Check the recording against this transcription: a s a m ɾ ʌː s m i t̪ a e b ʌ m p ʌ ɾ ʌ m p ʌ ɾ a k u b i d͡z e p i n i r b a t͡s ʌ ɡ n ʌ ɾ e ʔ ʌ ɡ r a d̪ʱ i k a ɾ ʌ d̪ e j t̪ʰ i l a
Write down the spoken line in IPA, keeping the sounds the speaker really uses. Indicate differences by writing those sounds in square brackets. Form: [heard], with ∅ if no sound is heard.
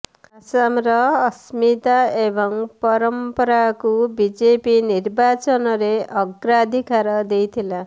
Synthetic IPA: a s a m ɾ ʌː s m i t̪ a e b ʌ [ŋ] p ʌ ɾ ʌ m p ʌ ɾ a k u b i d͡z e p i n i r b a t͡s ʌ [∅] n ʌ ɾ e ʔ ʌ ɡ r a d̪ʱ i k a ɾ ʌ d̪ e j t̪ʰ i l a